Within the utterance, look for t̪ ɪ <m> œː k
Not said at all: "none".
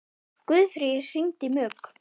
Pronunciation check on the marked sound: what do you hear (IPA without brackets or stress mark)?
m